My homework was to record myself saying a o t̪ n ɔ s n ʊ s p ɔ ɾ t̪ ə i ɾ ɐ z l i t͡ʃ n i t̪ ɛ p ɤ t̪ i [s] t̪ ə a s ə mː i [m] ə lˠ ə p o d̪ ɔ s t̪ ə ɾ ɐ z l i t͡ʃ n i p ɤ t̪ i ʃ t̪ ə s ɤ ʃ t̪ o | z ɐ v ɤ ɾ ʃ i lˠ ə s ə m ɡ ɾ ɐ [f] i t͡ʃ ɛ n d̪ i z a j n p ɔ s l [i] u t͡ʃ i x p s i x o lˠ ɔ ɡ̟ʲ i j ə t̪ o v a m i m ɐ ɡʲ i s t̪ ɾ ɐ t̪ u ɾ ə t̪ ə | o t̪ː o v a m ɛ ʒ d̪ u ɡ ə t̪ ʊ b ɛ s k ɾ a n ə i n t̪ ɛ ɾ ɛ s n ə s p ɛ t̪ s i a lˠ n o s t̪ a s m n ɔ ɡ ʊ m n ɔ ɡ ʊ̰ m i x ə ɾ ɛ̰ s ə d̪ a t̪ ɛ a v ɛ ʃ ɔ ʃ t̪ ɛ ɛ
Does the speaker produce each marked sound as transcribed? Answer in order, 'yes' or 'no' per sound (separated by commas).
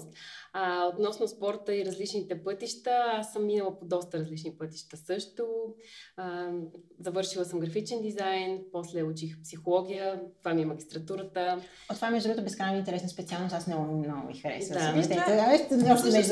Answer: no, no, yes, no